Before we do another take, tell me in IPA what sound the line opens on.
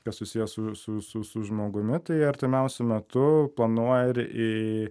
k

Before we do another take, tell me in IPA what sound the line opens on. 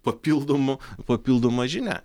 p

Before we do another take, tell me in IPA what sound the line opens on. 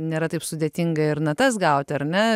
nʲ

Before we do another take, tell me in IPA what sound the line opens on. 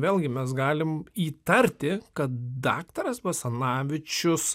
ʋʲ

